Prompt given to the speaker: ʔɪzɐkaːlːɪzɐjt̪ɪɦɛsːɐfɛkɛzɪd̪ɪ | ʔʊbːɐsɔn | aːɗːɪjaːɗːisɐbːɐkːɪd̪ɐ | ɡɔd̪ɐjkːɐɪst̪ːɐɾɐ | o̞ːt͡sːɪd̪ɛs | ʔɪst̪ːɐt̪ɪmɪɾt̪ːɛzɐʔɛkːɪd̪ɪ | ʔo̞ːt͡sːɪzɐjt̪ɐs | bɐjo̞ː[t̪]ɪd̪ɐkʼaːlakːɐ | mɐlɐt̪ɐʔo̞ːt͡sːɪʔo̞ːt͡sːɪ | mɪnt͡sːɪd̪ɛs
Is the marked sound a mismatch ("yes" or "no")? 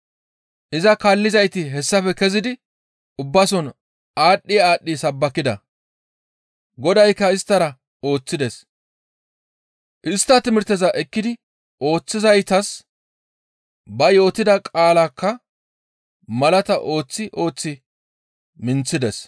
no